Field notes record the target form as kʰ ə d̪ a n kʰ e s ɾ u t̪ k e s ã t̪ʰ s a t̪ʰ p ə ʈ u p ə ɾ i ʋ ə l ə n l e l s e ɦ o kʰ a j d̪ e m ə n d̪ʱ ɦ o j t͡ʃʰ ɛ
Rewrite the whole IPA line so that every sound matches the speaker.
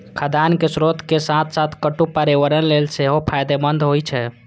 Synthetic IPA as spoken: kʰ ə d̪ a n k e s ɾ o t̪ k e s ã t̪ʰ s a t̪ʰ k ə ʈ u p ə ɾ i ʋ ə ɾ ə n l e l s e ɦ o pʰ a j d̪ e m ə n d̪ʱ ɦ o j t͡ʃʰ ɛ